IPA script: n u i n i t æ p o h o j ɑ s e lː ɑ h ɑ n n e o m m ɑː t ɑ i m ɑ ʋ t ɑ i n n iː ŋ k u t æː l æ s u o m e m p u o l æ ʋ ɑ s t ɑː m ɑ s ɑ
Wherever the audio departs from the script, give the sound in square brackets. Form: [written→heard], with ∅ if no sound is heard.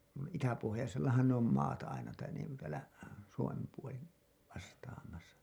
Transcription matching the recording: n u i n i t æ p o h o j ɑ s e lː ɑ h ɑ n n e o m m ɑː t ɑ i [m→n] ɑ [ʋ→∅] t ɑ i n n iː ŋ k u t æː l æ s u o m e m p u o l [æ→i] ʋ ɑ s t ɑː m ɑ s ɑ

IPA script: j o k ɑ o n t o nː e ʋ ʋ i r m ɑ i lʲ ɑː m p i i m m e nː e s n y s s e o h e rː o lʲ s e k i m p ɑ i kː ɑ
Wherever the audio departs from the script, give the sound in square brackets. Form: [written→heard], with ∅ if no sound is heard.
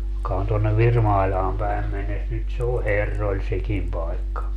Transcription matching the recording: j o k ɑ o n t o nː e ʋ ʋ i r m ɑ i lʲ ɑː m p [i→æ] i m m e nː e s n y [s→t] s e o h e rː o lʲ s e k i m p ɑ i kː ɑ

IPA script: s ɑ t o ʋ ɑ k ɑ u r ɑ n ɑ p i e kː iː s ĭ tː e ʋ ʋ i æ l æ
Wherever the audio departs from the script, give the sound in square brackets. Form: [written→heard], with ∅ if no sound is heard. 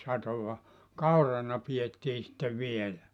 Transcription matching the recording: s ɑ t o ʋ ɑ k ɑ u r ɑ n ɑ p i e [kː→tː] iː s ĭ tː e ʋ ʋ i [æ→e] l æ

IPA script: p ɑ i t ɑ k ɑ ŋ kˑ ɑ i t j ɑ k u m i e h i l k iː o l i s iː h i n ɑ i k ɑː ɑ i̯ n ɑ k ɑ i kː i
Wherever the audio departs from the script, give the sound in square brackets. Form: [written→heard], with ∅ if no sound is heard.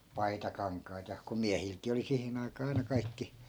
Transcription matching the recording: p ɑ i t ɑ k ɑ ŋ kˑ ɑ i t j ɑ k u m i [e→æ] h i l k iː o l i s [iː→i] h i n ɑ i k ɑː ɑ i̯ n ɑ k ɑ i kː i

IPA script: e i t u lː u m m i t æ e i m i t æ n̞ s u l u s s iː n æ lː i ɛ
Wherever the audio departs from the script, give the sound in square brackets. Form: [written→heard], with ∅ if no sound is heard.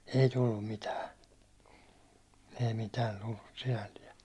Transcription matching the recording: e i t u lː u m m i t [æ→æː] e i m i t [æ→æː] n̞ [s→t] u [l→lː] u s s [iː→i] n æ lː i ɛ

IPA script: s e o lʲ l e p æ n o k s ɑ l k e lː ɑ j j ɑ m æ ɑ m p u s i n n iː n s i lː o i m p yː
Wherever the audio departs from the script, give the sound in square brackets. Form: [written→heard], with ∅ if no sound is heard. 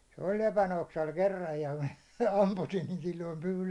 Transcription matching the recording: s e o lʲ l e p æ n o k s ɑ l k e [lː→rː] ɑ j j ɑ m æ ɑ m p u s i n n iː n s i lː o i m p yː

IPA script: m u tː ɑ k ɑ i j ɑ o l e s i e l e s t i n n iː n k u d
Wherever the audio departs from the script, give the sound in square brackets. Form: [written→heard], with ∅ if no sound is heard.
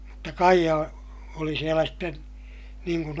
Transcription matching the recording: m u tː ɑ k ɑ i j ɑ o l [e→i] s i e l [e→æ] s t [i→e] n n iː [n→ŋ] k u [d→n]

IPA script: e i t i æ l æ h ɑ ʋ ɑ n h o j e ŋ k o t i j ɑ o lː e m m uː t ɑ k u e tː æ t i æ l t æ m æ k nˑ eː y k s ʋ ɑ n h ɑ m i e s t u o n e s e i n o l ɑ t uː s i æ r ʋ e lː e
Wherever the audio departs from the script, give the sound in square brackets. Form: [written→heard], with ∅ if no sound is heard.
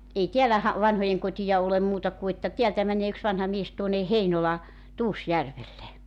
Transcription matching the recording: e i t i æ l æ h ɑ ʋ ɑ n h o j e ŋ k o t i j ɑ o [lː→l] e m m uː t ɑ k u e tː æ t i æ l t æ m æ [k→∅] nˑ eː y k s ʋ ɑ n h ɑ m i e s t u o n e [s→h] e i n o l ɑ t uː s [i→j] æ r ʋ e lː e

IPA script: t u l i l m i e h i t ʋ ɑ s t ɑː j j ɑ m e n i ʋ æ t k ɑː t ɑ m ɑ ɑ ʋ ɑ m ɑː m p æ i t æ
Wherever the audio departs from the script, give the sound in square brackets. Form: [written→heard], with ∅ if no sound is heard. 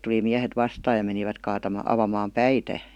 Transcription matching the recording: t u l i [l→∅] m i [e→æ] h [i→e] t ʋ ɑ s t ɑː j j ɑ m e n i ʋ æ t k ɑː t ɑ m ɑ ɑ ʋ ɑ m ɑː m p æ i t æ

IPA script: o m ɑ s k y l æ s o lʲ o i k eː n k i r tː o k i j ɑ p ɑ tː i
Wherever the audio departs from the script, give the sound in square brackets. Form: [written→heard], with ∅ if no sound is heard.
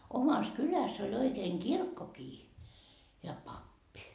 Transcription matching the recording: o m ɑ s k y l æ s o lʲ o i k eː n k i r [tː→kː] o k [i→iː] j ɑ p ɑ [tː→pː] i

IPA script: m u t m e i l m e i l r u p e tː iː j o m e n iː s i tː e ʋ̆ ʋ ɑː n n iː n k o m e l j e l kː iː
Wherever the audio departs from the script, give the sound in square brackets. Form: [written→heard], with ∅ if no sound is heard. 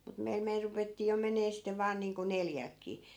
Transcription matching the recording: m u t m e i l m e i l r u p e tː iː j o m e n [iː→eː] s i tː e ʋ̆ ʋ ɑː n n iː [n→ŋ] k o [m→n] e l j [e→æ] l kː iː

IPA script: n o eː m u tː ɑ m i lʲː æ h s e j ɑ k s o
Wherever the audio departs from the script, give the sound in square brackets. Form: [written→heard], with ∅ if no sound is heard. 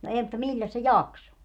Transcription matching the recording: n o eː m u tː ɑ m i lʲː æ [h→s] s e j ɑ k s o

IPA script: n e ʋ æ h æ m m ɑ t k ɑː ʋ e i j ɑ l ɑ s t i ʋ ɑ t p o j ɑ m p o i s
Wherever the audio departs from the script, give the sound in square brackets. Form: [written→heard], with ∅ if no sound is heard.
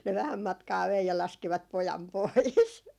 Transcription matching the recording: n e ʋ æ h æ m m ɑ t k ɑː ʋ e i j ɑ l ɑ s [t→k] i ʋ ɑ t p o j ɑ m p o i s

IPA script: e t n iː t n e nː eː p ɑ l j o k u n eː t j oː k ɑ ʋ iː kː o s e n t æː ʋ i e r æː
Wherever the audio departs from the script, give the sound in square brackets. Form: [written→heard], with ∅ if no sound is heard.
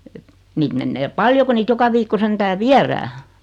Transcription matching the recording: e t n iː t [n→m] e nː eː p ɑ l j o k u n [eː→iː] t j [oː→o] k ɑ ʋ iː kː o s e n t æː ʋ i [e→æ] r æː

